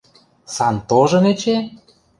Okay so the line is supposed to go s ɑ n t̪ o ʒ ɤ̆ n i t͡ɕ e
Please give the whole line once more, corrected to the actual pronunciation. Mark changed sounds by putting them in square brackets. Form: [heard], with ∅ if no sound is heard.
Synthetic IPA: s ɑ n t̪ o ʒ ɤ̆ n [e] t͡ɕ e

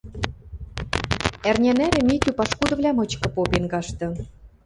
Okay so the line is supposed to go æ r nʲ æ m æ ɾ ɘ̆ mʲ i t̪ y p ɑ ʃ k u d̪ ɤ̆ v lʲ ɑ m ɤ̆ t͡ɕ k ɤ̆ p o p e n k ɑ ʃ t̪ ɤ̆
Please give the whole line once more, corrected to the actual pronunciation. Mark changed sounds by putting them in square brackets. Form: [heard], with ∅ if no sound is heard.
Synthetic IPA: æ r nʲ æ [n] æ ɾ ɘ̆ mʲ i t̪ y p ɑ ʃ k u d̪ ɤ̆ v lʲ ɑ m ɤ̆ t͡ɕ k ɤ̆ p o p e n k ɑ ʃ t̪ ɤ̆

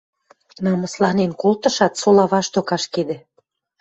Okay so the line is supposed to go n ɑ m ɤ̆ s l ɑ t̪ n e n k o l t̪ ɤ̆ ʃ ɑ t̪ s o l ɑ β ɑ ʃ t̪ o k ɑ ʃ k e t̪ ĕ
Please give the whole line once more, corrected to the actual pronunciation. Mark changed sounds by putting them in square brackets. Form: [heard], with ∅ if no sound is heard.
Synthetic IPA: n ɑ m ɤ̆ s l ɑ [∅] n e n k o l t̪ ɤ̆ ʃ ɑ t̪ s o l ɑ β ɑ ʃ t̪ o k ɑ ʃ k e [d̪] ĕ

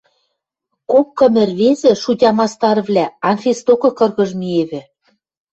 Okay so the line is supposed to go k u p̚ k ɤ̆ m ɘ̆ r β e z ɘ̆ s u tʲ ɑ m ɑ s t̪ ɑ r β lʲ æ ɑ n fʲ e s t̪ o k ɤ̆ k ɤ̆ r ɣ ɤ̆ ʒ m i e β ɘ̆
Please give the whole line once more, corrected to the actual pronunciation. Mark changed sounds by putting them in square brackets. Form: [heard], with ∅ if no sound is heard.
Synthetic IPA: k [o] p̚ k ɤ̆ m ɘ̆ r β e z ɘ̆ [ʃ] u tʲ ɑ m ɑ s t̪ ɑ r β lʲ æ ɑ n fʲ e s t̪ o k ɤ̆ k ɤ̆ r ɣ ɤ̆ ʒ m i e β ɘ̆

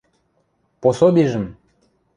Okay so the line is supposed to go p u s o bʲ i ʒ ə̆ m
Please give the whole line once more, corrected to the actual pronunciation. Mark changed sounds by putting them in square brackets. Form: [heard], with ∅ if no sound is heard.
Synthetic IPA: p [o] s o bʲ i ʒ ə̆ m

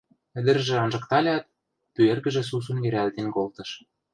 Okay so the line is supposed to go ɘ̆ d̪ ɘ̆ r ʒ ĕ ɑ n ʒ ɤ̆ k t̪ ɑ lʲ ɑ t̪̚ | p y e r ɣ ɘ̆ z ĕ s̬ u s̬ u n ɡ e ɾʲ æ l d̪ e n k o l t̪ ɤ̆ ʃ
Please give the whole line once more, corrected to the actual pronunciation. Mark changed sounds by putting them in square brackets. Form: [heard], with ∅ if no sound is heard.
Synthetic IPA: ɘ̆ d̪ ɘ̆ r ʒ ĕ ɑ n ʒ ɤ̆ k t̪ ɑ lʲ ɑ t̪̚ | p y e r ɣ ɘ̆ [ʒ] ĕ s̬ u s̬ u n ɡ e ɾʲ æ l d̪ e n k o l t̪ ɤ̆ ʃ

